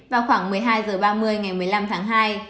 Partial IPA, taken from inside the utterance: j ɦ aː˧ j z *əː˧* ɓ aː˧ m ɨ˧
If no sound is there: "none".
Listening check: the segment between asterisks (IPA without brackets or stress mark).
əː˨˩